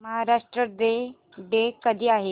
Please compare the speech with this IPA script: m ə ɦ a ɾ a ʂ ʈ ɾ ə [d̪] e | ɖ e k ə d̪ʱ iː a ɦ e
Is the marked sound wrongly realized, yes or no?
no